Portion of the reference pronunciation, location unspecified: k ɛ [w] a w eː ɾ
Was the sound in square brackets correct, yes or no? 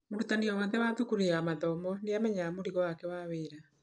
yes